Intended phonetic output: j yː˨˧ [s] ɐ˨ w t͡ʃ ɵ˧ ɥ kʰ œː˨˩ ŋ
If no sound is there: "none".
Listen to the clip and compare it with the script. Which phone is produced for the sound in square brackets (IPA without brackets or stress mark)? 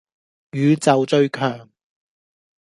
t͡s